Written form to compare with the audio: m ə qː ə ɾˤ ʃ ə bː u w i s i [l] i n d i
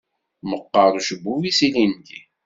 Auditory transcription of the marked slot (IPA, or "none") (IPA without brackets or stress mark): l